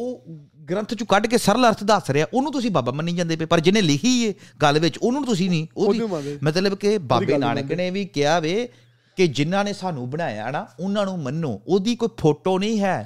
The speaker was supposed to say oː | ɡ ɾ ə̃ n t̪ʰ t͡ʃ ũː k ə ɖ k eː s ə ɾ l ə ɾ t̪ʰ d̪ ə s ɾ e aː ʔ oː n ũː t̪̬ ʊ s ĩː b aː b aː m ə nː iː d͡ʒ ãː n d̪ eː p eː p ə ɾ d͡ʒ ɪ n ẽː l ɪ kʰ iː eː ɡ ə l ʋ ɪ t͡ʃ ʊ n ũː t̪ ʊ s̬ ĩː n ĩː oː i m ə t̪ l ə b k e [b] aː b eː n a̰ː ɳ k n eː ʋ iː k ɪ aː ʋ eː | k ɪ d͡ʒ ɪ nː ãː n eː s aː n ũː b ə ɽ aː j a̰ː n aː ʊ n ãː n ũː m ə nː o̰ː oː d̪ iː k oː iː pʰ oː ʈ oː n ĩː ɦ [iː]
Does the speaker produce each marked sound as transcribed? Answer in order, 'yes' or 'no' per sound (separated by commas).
yes, no